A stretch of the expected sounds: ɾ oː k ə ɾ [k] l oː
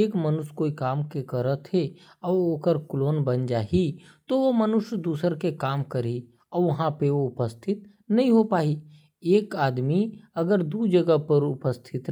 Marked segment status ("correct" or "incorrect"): correct